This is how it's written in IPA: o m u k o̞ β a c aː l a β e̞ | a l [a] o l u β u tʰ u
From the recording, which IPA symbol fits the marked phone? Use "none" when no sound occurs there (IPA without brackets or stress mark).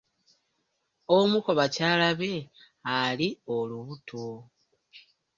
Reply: i